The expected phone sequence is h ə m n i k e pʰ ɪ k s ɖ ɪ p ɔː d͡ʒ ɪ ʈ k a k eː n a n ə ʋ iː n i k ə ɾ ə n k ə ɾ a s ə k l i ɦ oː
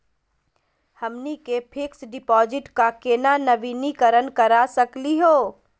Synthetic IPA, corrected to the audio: h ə m n i k e pʰ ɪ k s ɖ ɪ p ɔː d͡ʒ ɪ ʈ k a k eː n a n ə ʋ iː n i k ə ɾ ə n k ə ɾ a s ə k l i ɦ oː